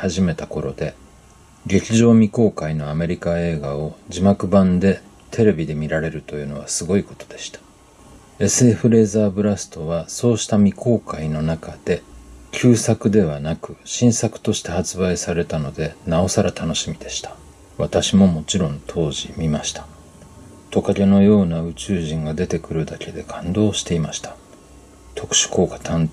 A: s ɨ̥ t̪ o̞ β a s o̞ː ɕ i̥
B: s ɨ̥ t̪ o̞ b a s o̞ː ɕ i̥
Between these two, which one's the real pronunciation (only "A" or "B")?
A